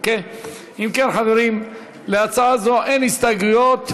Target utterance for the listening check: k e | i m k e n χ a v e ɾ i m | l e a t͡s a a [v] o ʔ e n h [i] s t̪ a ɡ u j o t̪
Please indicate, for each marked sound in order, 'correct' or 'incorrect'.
incorrect: z, correct

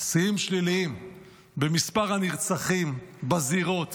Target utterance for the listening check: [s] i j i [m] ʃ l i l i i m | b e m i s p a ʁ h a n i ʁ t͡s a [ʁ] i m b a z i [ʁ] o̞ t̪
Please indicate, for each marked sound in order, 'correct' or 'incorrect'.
correct, correct, incorrect: χ, correct

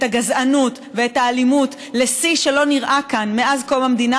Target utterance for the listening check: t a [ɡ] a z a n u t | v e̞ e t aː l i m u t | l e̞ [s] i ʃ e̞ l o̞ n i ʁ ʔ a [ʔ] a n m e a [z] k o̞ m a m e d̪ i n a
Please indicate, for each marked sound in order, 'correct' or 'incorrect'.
correct, correct, incorrect: k, correct

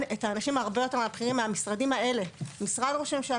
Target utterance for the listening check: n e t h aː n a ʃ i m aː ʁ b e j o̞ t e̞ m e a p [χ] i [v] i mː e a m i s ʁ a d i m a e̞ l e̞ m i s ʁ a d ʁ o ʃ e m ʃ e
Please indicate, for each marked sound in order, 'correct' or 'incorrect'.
correct, incorrect: ʁ

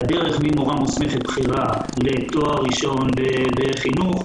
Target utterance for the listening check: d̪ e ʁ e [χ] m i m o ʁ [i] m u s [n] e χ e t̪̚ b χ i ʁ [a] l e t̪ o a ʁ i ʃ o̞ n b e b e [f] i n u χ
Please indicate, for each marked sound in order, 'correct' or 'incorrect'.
correct, incorrect: a, incorrect: m, correct, incorrect: χ

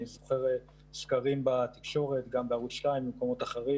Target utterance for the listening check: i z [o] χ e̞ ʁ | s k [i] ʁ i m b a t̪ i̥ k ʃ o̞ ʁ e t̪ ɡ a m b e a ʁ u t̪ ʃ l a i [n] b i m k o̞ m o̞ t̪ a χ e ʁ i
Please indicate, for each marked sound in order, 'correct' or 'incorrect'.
correct, incorrect: a, incorrect: m

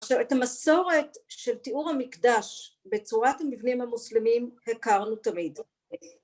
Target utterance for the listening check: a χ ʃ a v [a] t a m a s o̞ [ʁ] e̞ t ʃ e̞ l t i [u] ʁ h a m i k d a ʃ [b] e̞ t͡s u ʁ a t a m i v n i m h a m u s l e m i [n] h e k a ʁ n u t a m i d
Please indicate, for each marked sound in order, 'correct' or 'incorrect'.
incorrect: e, correct, correct, correct, incorrect: m

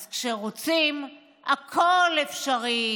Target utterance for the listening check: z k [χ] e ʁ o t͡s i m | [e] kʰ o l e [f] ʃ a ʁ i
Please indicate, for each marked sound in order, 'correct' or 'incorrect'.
incorrect: ʃ, incorrect: a, correct

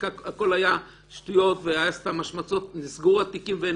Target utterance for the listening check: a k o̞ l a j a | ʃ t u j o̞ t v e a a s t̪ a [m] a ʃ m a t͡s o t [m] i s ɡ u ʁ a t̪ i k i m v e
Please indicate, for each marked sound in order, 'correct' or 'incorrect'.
correct, incorrect: n

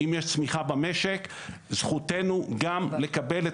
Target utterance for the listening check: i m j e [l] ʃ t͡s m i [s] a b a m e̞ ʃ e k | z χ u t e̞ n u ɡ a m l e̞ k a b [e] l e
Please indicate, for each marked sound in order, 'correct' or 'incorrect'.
incorrect: none, incorrect: χ, correct

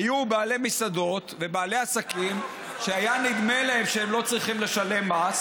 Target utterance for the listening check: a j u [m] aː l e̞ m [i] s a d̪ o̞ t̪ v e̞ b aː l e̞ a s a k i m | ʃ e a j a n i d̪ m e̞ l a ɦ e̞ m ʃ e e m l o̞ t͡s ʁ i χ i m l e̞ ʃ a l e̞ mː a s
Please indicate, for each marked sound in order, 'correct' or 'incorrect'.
incorrect: b, correct

